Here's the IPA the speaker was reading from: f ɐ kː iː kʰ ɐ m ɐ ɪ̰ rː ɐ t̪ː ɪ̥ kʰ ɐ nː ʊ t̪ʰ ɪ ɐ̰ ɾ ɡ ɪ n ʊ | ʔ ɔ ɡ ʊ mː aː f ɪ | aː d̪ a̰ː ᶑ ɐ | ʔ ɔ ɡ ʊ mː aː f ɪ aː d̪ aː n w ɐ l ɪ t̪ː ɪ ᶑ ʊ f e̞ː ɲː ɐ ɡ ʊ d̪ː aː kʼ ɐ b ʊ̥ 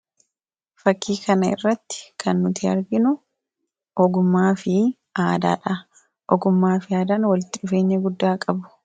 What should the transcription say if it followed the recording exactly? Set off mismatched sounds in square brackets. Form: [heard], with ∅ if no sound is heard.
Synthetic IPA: f ɐ kː iː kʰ ɐ [n] ɐ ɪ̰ rː ɐ t̪ː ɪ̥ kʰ ɐ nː ʊ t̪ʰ ɪ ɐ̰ ɾ ɡ ɪ n ʊ | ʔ ɔ ɡ ʊ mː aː f ɪ | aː d̪ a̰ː ᶑ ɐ | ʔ ɔ ɡ ʊ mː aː f ɪ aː d̪ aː n w ɐ l ɪ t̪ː ɪ ᶑ ʊ f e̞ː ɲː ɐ ɡ ʊ d̪ː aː kʼ ɐ b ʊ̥